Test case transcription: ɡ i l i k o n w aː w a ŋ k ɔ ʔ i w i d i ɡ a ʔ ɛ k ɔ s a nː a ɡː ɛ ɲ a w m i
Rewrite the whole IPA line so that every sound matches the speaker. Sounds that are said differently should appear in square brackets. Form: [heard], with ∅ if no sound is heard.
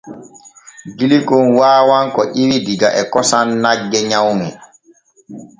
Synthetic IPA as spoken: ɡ i l i k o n w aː w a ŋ k ɔ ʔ i w i d i ɡ a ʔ ɛ k ɔ s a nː a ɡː ɛ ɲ a w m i